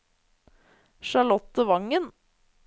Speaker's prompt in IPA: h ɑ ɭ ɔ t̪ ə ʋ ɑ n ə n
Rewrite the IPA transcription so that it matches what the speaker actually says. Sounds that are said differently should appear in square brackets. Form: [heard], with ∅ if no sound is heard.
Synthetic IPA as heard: [ʃ] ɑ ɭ ɔ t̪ ə ʋ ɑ [ŋ] ə n